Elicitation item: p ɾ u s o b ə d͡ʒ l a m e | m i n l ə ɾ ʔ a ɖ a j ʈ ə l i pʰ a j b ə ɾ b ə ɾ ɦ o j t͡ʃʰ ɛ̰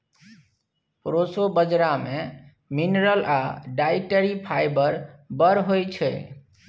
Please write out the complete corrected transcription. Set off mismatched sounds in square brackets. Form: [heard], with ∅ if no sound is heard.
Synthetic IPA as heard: p ɾ [o] s o b ə d͡ʒ [ɾ] a m e | m i n [ɾ] ə [l] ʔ a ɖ a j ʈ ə [ɾ] i pʰ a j b ə ɾ b ə ɾ ɦ o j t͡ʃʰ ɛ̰